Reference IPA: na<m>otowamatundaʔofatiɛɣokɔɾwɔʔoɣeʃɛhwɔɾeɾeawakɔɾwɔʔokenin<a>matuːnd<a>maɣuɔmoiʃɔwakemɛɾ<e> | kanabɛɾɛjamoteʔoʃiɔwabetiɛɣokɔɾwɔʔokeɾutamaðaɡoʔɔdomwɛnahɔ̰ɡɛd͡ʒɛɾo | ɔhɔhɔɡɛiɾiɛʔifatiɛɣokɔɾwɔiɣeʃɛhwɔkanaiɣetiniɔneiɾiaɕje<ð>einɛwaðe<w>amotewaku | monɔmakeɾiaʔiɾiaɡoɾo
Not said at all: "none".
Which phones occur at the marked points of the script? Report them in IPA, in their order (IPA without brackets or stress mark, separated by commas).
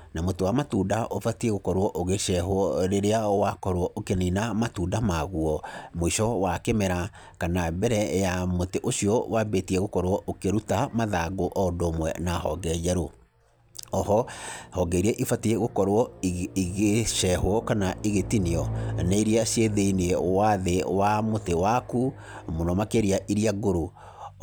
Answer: m, a, a, a, ð, w